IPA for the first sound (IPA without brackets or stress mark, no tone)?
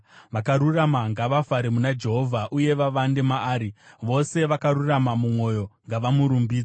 ʋ